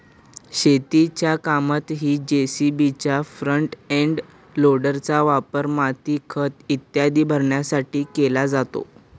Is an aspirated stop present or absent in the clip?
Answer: present